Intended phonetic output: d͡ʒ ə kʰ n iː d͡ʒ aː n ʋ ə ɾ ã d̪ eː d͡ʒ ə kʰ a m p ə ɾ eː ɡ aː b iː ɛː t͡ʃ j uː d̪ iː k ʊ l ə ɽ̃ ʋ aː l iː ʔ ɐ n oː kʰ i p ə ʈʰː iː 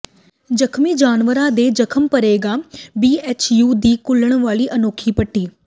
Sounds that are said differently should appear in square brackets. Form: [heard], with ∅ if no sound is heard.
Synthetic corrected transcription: d͡ʒ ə kʰ [m] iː d͡ʒ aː n ʋ ə ɾ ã d̪ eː d͡ʒ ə kʰ [ə] m p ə ɾ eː ɡ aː b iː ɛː t͡ʃ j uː d̪ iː k ʊ l ə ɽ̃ ʋ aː l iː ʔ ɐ n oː kʰ i p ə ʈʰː iː